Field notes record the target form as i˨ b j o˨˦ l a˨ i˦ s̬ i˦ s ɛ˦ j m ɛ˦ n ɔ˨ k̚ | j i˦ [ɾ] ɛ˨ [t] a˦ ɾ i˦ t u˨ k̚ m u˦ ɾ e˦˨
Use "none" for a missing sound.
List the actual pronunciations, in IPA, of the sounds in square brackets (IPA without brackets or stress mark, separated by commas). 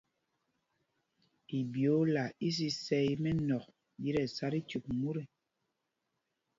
ɾ, s